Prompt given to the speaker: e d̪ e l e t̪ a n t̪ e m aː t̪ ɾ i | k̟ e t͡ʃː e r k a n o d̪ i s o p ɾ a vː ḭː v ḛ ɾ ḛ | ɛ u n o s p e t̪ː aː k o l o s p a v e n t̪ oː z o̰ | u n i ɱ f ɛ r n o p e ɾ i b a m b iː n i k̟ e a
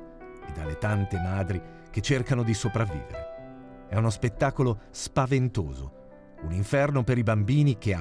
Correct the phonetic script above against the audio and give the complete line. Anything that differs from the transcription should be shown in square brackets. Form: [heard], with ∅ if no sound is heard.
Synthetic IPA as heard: e d̪ [a] l e t̪ a n t̪ e m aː [d̪] ɾ i | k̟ e t͡ʃː e r k a n o d̪ i s o p ɾ a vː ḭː v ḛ ɾ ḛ | ɛ u n o s p e t̪ː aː k o l o s p a v e n t̪ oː z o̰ | u n i ɱ f ɛ r n o p e ɾ i b a m b iː n i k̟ e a